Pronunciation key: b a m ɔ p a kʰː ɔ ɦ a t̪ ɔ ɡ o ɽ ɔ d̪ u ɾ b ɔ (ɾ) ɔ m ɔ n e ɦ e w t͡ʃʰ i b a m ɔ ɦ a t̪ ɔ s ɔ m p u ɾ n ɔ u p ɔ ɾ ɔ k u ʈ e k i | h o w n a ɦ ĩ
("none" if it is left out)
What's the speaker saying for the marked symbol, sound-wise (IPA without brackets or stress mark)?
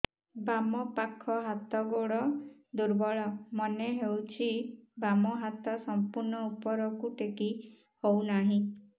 ɭ